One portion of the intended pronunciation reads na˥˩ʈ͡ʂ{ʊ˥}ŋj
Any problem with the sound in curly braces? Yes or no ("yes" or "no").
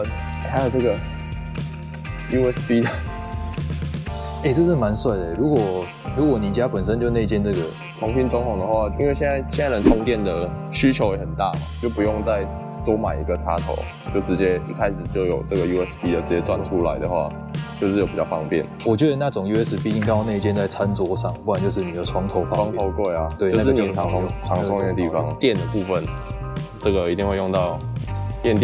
yes